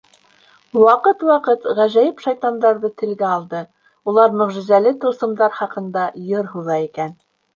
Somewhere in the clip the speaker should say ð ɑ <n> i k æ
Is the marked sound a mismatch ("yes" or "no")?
yes